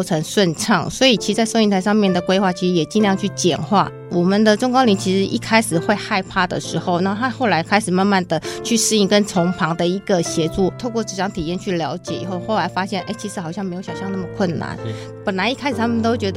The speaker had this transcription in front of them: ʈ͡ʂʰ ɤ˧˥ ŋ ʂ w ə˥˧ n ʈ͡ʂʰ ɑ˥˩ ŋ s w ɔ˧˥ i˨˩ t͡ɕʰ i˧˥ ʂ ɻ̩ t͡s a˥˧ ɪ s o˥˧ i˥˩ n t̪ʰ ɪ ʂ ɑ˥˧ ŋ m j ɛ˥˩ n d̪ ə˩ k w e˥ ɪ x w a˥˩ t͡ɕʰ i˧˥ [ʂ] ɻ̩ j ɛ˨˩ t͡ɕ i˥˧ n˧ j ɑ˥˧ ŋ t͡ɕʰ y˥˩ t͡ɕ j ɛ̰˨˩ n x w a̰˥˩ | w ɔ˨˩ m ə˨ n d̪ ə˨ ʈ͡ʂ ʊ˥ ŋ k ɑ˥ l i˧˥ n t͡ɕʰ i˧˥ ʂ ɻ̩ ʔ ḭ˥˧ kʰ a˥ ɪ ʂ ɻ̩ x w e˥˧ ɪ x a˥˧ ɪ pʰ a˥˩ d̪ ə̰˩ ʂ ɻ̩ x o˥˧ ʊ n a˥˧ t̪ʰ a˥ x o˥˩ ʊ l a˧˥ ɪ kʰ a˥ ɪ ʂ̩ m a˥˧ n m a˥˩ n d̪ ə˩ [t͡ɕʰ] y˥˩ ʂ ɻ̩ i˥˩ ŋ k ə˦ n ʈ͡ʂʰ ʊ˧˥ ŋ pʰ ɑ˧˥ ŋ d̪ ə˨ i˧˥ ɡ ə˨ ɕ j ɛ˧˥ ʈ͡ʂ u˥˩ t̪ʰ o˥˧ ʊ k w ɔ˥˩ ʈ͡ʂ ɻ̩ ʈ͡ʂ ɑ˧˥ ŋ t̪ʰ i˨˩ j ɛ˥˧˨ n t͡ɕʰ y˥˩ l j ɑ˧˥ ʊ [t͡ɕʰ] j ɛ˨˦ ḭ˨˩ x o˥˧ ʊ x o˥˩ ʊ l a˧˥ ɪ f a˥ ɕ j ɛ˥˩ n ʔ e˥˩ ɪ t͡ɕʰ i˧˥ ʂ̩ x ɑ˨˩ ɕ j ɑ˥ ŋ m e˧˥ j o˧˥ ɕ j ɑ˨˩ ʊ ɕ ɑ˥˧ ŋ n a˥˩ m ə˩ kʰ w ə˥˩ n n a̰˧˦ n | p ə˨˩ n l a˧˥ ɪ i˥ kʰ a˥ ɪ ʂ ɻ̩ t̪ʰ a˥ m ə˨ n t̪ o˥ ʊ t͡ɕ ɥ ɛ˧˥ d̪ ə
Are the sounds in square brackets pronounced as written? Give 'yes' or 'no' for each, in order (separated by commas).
yes, yes, no